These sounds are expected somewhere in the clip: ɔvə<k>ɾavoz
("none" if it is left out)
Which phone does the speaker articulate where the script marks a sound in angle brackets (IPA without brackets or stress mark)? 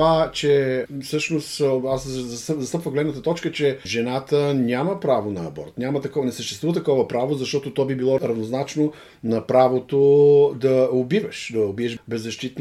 p